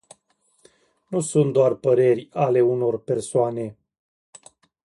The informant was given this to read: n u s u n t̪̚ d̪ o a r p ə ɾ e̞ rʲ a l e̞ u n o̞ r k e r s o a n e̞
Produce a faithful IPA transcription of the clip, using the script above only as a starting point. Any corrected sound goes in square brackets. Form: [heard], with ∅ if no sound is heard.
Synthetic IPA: n u s u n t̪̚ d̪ o a r p ə ɾ e̞ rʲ a l e̞ u n o̞ r [p] e r s o a n e̞